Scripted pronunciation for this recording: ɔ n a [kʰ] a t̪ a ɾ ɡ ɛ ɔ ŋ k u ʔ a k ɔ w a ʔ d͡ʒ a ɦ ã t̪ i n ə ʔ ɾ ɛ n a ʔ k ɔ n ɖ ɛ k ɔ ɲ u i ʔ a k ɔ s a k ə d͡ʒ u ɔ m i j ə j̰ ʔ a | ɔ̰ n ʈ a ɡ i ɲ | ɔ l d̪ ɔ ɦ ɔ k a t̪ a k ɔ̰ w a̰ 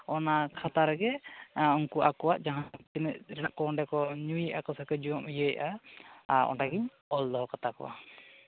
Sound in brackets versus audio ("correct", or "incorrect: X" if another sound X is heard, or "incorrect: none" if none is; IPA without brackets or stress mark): correct